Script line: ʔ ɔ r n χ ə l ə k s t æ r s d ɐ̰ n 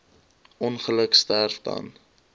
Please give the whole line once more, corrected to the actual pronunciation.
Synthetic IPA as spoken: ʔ ɔ n χ ə l ə k s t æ r f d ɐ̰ n